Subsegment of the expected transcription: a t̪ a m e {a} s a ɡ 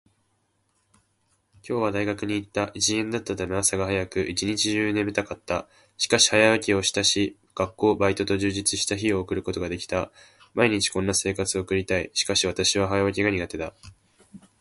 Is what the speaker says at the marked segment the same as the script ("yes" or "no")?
yes